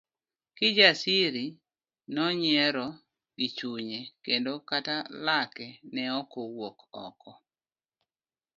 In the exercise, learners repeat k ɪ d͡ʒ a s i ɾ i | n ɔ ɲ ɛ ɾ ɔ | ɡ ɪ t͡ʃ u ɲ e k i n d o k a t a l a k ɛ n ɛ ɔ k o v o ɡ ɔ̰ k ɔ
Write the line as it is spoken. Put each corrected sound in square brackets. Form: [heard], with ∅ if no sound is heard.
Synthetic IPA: k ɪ d͡ʒ a s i ɾ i | n ɔ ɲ ɛ ɾ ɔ | ɡ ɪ t͡ʃ u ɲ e k [e] n d o k a t a l a k ɛ n ɛ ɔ k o [w] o [k] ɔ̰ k ɔ